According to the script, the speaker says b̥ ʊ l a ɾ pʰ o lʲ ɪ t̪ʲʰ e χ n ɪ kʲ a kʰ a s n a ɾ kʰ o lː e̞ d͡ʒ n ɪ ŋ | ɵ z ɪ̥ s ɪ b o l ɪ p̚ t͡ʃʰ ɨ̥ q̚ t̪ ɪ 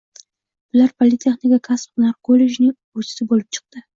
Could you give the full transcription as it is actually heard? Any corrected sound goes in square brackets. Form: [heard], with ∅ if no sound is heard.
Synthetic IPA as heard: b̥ ʊ l a ɾ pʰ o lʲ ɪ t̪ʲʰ e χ n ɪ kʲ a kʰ a s n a ɾ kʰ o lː e̞ d͡ʒ n ɪ ŋ | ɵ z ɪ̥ s ɪ b o l ɪ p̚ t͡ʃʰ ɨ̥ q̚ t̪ ɪ

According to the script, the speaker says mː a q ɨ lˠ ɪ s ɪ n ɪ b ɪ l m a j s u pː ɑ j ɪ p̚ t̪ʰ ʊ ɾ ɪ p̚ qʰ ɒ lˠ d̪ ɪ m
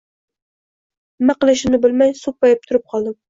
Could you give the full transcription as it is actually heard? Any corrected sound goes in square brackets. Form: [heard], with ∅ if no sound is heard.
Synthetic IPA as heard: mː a q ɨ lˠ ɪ [ʃ] ɪ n ɪ b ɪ l m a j s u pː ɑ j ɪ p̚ t̪ʰ ʊ ɾ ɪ p̚ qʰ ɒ lˠ d̪ ɪ m

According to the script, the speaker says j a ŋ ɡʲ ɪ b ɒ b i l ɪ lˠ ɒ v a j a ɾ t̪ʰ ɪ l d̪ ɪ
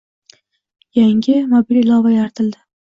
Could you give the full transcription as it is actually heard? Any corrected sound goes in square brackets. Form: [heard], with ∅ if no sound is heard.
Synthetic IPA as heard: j a ŋ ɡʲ ɪ [m] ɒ b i l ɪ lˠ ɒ v a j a ɾ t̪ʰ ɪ l d̪ ɪ

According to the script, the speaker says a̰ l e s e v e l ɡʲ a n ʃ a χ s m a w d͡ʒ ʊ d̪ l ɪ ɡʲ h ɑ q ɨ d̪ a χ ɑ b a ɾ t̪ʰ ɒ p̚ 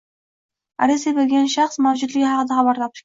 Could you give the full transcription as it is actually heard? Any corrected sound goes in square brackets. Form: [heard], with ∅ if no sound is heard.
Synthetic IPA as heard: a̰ [ɾ] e s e [b] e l ɡʲ a n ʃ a χ s m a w d͡ʒ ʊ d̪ l ɪ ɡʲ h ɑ q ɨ d̪ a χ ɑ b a ɾ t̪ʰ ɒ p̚

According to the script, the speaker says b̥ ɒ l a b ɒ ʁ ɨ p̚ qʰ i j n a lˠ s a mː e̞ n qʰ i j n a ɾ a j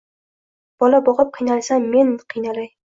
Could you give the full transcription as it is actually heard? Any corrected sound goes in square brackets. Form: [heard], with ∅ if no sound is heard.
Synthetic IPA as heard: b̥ ɒ l a b ɒ ʁ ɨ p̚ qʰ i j n a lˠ s a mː e̞ n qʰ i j n a [l] a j

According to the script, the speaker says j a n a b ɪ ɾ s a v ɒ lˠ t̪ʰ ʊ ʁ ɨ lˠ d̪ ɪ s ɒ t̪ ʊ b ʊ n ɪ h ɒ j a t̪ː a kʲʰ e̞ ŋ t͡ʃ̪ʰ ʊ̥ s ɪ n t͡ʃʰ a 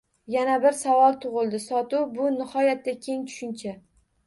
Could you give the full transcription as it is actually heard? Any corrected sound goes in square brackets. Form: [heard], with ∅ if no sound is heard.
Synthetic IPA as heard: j a n a b ɪ ɾ s a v ɒ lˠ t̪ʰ ʊ ʁ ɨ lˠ d̪ ɪ s ɒ t̪ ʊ b ʊ n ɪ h ɒ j a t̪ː a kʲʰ e̞ ŋ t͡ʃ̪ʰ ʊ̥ [ʃ] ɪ n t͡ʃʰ a

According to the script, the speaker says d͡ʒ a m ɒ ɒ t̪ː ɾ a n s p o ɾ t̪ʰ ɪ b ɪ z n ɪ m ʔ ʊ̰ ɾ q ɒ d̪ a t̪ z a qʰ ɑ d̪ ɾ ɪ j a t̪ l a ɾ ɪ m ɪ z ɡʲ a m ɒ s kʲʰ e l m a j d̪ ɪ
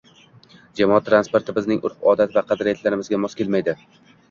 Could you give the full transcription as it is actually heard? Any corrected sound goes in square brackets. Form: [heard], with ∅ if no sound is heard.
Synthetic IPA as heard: d͡ʒ a m ɒ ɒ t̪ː ɾ a n s p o ɾ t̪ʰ ɪ b ɪ z n ɪ [ŋ] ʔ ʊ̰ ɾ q ɒ d̪ a t̪ [v] a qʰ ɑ d̪ ɾ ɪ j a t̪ l a ɾ ɪ m ɪ z ɡʲ a m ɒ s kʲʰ e l m a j d̪ ɪ

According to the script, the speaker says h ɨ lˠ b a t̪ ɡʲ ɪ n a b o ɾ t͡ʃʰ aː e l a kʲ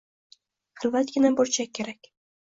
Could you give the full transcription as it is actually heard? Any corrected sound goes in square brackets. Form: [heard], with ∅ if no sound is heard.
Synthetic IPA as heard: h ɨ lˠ [v] a t̪ ɡʲ ɪ n a b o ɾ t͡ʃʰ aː e [ɾ] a kʲ

